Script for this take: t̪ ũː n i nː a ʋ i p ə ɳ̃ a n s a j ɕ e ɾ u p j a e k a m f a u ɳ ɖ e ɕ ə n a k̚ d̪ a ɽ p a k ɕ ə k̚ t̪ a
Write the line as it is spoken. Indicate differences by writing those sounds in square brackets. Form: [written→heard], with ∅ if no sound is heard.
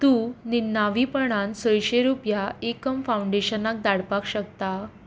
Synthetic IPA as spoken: t̪ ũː n i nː a ʋ i p ə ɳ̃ a n s [a→ə] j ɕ e ɾ u p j a e k [a→ə] m f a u ɳ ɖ e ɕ ə n a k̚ d̪ a ɽ p a k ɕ ə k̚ t̪ a